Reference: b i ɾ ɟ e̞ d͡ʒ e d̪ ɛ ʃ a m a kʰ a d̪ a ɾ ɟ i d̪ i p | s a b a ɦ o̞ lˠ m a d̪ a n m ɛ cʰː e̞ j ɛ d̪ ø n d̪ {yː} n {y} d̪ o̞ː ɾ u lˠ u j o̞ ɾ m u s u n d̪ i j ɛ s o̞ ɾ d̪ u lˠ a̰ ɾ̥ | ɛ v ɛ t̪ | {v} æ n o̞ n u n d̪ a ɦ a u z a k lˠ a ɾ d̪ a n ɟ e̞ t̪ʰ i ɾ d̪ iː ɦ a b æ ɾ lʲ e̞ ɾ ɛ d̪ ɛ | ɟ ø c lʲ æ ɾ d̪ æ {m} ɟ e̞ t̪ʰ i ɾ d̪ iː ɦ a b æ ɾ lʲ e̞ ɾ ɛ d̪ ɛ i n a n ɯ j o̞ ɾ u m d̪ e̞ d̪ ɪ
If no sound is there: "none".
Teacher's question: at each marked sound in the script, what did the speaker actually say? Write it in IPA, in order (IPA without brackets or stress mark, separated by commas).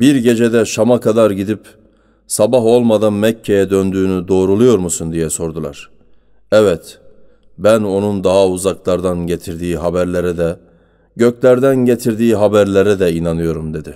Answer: yː, y, b, n